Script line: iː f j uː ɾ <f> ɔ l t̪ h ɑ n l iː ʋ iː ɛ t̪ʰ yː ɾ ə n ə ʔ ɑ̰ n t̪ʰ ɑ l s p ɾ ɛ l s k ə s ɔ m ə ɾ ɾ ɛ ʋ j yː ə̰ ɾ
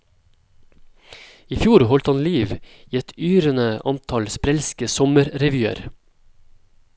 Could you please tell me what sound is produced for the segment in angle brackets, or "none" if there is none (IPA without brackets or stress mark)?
h